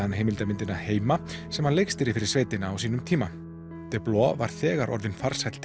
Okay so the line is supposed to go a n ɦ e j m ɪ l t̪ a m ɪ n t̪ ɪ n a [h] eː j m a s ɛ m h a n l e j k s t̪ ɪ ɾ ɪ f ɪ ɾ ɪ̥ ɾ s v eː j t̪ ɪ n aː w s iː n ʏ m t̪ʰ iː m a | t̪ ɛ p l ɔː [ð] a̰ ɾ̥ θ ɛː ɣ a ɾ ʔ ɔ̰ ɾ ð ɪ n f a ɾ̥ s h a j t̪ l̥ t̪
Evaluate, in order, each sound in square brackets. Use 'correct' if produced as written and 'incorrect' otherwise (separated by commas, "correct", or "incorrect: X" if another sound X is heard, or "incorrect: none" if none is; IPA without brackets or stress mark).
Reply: correct, incorrect: v